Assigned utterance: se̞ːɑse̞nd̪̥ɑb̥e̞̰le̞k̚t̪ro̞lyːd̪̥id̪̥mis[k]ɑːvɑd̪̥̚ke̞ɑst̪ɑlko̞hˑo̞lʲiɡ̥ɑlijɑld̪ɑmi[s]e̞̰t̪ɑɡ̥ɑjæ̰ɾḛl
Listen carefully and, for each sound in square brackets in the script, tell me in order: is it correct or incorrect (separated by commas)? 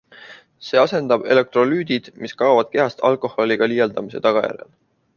correct, correct